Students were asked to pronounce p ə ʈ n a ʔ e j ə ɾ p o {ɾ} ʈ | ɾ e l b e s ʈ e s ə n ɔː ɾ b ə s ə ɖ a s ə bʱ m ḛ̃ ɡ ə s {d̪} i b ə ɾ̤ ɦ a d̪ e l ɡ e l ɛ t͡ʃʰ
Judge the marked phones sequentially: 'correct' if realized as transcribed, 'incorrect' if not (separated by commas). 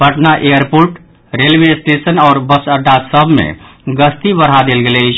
correct, incorrect